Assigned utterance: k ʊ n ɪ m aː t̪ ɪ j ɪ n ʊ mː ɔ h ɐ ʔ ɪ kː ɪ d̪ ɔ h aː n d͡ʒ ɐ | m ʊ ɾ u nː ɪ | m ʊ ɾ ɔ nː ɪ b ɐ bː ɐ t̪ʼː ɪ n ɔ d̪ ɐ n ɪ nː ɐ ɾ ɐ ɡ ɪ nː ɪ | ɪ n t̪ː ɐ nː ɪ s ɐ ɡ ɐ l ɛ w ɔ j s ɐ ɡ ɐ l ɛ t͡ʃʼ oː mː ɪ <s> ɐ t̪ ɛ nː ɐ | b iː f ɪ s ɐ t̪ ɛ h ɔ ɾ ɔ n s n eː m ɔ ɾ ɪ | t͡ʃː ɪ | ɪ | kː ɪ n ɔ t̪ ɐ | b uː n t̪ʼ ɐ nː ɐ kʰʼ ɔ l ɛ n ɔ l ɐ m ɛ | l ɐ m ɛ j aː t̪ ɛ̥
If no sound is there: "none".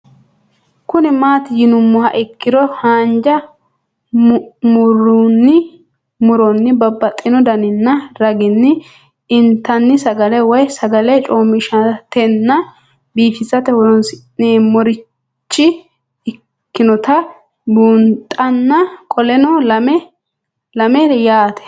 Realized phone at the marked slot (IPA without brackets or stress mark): ʃ